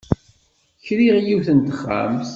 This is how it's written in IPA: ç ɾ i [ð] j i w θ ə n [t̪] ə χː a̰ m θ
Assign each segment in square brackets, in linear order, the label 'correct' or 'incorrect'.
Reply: incorrect, correct

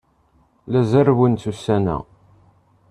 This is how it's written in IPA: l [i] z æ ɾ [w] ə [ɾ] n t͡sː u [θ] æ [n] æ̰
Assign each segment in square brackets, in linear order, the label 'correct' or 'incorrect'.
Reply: incorrect, correct, incorrect, incorrect, correct

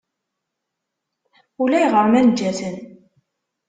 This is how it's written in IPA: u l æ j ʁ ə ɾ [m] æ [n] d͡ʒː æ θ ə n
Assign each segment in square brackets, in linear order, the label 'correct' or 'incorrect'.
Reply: correct, correct

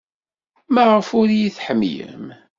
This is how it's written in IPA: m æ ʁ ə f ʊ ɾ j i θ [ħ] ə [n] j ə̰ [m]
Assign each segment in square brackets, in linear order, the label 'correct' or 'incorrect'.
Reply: correct, incorrect, correct

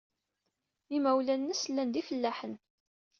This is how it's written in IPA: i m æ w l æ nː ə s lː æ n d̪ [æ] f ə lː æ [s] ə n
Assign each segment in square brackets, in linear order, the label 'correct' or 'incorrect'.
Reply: incorrect, incorrect

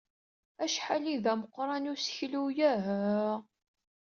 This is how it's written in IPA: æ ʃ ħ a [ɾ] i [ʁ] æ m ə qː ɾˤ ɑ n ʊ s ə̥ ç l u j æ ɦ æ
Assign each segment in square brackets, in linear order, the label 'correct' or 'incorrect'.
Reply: incorrect, incorrect

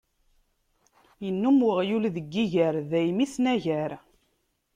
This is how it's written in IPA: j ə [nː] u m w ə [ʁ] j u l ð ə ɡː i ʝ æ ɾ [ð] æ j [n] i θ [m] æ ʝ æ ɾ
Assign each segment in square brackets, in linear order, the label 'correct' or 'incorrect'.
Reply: correct, correct, correct, incorrect, incorrect

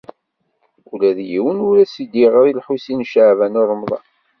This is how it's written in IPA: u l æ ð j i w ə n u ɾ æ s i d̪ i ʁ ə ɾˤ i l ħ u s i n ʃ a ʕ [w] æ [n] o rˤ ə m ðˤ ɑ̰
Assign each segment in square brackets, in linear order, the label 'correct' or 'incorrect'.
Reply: incorrect, correct

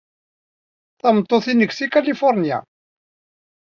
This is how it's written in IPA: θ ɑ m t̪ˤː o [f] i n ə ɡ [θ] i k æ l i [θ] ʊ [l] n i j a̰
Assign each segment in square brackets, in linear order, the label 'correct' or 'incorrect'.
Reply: incorrect, incorrect, incorrect, incorrect

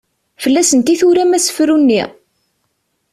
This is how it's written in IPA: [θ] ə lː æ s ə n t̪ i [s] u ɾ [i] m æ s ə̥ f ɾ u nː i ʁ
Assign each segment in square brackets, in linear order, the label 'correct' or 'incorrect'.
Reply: incorrect, incorrect, incorrect

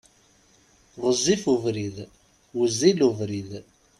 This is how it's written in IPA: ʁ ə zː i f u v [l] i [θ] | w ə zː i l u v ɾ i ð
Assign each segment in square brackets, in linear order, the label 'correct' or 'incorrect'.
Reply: incorrect, incorrect

